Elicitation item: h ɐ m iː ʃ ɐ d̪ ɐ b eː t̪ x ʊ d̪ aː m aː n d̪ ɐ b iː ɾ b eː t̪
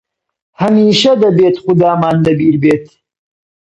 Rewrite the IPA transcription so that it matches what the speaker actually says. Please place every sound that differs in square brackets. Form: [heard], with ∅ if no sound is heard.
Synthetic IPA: h ɐ m iː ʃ ɐ d̪ ɐ b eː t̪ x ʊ d̪ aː m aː n d̪ ɐ b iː ɾ b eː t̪

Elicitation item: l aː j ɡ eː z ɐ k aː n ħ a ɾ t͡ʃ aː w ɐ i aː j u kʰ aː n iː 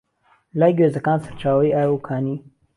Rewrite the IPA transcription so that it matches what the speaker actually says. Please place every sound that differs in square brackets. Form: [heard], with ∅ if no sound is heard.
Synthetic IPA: l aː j ɡ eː z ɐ k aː n [s] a ɾ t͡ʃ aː w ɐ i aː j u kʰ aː n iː

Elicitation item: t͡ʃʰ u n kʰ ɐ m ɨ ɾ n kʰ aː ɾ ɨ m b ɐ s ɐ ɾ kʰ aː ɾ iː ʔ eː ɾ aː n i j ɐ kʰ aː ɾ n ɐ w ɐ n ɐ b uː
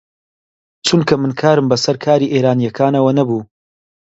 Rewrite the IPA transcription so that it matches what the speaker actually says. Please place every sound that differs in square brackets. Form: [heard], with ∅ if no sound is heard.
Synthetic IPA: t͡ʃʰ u n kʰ ɐ m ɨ [∅] n kʰ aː ɾ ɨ m b ɐ s ɐ ɾ kʰ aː ɾ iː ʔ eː ɾ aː n i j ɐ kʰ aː [∅] n ɐ w ɐ n ɐ b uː

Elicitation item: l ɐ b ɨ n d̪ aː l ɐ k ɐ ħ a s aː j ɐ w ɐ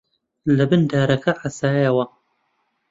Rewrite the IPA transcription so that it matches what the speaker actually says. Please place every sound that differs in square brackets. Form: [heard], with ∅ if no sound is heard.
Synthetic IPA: l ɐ b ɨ n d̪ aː [ɾ] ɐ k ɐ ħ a s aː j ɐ w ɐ

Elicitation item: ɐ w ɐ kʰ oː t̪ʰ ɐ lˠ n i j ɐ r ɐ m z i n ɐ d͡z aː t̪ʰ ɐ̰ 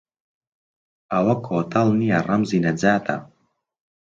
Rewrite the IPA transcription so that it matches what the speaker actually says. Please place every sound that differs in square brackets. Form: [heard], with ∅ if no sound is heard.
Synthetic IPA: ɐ w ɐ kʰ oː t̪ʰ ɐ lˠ n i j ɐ r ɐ m z i n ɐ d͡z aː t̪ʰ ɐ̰

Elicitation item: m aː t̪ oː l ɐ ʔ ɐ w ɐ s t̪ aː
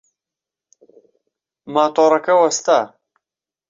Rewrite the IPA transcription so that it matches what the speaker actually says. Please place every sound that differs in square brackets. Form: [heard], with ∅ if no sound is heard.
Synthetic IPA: m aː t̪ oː [ɾ] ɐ [k] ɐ w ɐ s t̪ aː

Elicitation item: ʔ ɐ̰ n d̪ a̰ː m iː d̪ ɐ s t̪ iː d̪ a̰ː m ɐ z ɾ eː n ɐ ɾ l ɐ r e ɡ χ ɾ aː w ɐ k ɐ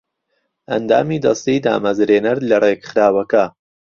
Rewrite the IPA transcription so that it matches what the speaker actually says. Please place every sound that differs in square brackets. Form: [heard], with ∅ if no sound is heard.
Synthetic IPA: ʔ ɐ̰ n d̪ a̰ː m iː d̪ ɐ s t̪ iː d̪ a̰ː m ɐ z ɾ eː n ɐ ɾ l ɐ r e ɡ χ ɾ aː w ɐ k ɐ

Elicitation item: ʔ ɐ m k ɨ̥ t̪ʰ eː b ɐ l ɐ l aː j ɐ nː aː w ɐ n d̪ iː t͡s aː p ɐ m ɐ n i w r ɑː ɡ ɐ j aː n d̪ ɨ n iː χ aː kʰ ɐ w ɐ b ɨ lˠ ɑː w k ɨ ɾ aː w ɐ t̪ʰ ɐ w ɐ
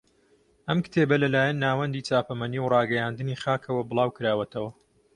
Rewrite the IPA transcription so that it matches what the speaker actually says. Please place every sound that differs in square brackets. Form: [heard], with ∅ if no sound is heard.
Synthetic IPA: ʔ ɐ m k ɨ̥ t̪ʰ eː b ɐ l ɐ l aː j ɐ nː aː w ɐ n d̪ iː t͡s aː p ɐ m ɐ n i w r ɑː ɡ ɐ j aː n d̪ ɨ n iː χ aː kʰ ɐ w ɐ b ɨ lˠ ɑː w k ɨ ɾ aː w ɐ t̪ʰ ɐ w ɐ

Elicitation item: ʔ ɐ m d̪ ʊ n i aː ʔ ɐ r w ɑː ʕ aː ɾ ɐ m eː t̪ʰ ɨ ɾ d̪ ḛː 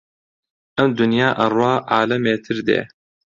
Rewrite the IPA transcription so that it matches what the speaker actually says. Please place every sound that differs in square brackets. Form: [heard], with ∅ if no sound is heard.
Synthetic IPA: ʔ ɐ m d̪ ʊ n [j] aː ʔ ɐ r w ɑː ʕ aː [l] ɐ m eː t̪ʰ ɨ ɾ d̪ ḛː

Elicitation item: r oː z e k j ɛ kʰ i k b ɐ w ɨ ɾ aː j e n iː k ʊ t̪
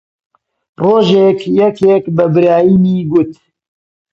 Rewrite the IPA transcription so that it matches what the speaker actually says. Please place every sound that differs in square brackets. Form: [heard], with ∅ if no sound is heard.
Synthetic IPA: r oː [ʒ] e k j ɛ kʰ [e] k b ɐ [b] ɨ ɾ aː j [i] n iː [ɡ] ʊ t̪

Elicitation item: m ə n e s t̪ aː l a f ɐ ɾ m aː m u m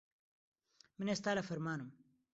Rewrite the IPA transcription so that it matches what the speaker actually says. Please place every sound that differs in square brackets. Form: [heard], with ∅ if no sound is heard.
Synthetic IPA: m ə n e s t̪ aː l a f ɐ ɾ m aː [n] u m

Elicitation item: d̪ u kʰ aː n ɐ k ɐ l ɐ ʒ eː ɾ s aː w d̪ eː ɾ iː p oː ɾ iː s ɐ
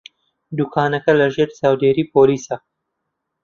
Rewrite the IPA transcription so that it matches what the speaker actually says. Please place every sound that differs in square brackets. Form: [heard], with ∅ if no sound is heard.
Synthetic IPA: d̪ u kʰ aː n ɐ k ɐ l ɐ ʒ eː ɾ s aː w d̪ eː ɾ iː p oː [l] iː s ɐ

